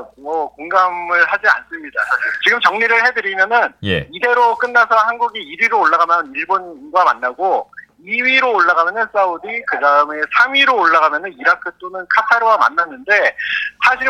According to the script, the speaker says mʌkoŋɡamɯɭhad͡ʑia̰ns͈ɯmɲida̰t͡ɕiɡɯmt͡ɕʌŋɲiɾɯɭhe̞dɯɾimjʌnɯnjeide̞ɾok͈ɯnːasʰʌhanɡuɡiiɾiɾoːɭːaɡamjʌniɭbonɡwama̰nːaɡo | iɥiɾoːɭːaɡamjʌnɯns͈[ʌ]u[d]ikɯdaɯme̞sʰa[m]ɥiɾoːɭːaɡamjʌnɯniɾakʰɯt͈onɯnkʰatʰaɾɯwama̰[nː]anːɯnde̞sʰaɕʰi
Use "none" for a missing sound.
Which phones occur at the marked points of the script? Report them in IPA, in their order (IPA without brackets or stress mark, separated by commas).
a, d, m, nː